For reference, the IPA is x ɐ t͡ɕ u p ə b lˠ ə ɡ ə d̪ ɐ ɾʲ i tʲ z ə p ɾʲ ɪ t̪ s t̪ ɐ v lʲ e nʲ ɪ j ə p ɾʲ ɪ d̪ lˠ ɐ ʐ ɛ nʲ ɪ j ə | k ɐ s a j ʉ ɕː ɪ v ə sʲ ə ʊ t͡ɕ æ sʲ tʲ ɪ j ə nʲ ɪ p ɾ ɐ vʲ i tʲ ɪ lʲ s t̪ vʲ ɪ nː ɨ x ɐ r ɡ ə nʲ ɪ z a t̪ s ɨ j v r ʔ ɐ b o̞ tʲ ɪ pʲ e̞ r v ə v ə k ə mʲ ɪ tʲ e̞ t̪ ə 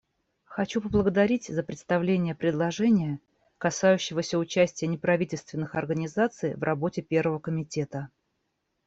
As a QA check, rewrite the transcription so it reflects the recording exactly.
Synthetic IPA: x ɐ t͡ɕ u p ə b lˠ ə ɡ ə d̪ ɐ ɾʲ i tʲ z ə p ɾʲ ɪ t̪ s t̪ ɐ v lʲ e nʲ ɪ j ə p ɾʲ ɪ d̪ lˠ ɐ ʐ ɛ nʲ ɪ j ə | k ɐ s a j ʉ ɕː ɪ v ə sʲ ə ʊ t͡ɕ æ sʲ tʲ ɪ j ə nʲ ɪ p ɾ ɐ vʲ i tʲ ɪ lʲ s t̪ vʲ ɪ nː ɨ x ɐ r ɡ ə nʲ ɪ z a t̪ s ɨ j v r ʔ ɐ b o̞ tʲ ɪ pʲ e̞ r v ə v ə k ə mʲ ɪ tʲ e̞ t̪ ə